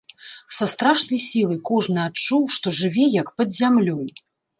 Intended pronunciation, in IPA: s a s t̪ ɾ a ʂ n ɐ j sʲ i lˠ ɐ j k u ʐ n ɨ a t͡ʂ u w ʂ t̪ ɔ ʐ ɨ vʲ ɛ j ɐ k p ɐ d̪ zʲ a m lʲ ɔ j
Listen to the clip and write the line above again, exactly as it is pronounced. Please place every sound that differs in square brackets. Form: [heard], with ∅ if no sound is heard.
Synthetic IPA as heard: s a s t̪ ɾ a ʂ n ɐ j sʲ i lˠ ɐ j k [ɔ] ʐ n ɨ a t͡ʂ u w ʂ t̪ ɔ ʐ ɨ vʲ ɛ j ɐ k p ɐ d̪ zʲ a m lʲ ɔ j